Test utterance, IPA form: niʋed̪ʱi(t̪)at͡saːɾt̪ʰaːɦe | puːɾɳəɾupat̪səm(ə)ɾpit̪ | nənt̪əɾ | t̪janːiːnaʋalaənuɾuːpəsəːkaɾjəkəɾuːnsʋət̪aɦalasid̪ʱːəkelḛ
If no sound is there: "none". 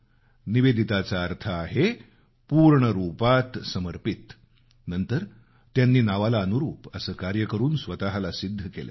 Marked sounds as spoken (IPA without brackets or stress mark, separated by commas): t̪, ə